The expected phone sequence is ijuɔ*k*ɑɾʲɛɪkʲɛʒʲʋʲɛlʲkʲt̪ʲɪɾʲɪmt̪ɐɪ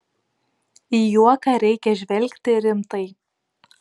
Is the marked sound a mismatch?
no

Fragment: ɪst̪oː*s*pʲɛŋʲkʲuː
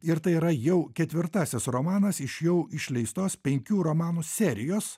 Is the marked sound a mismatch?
no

